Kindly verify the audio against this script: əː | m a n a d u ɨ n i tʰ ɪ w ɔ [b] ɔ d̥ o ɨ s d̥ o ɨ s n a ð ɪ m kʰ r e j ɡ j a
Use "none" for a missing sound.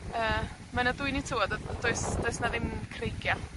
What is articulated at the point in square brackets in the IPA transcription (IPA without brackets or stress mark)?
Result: d